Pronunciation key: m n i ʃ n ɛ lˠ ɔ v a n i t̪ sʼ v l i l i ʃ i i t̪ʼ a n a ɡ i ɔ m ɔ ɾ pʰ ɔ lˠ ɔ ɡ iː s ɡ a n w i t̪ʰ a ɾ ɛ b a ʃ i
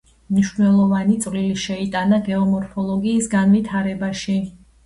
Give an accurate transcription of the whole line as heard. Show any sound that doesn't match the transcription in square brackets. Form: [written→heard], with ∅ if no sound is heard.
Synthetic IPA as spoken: m n i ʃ n ɛ lˠ ɔ v a n i t̪ sʼ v l i l i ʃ [i→ɛ] i t̪ʼ a n a ɡ [i→ɛ] ɔ m ɔ ɾ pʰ ɔ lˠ ɔ ɡ iː s ɡ a n [w→v] i t̪ʰ a ɾ ɛ b a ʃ i